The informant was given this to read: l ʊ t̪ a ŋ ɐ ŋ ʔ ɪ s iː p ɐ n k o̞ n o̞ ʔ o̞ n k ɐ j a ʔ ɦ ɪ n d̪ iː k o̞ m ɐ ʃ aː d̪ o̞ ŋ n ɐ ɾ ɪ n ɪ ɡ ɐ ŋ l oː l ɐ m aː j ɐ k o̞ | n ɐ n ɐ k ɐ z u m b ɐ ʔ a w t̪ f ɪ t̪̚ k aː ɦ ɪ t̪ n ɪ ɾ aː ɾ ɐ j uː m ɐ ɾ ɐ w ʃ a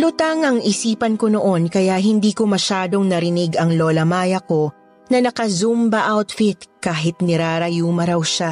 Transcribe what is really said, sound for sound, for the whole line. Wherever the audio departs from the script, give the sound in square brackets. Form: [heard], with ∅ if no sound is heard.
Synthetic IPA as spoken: l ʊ t̪ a ŋ ɐ ŋ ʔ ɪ s iː p ɐ n k o̞ n o̞ ʔ o̞ n k ɐ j a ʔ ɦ ɪ n d̪ iː k o̞ m ɐ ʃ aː d̪ o̞ ŋ n ɐ ɾ ɪ n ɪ ɡ ɐ ŋ l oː l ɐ m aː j ɐ k o̞ | n ɐ n ɐ k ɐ z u m b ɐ ʔ a w t̪ f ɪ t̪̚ k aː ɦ ɪ t̪ n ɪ ɾ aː ɾ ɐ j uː m ɐ ɾ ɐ w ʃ a